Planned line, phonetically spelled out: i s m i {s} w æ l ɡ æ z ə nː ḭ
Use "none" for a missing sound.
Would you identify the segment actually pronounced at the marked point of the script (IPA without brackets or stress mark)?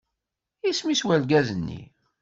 s